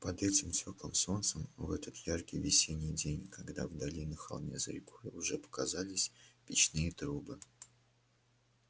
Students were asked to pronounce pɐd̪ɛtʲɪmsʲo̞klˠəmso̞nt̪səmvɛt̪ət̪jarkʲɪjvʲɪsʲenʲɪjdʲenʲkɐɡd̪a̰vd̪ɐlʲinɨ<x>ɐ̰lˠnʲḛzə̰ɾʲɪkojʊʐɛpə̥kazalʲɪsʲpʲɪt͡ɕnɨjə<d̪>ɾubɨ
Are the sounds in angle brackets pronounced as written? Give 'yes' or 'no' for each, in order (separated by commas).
yes, no